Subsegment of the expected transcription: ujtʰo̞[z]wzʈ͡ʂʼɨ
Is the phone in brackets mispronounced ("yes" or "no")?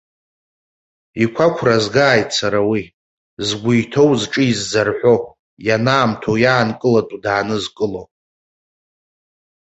yes